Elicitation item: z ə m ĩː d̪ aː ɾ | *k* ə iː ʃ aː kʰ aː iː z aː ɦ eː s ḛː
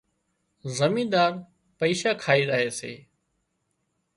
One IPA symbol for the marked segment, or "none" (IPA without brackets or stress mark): p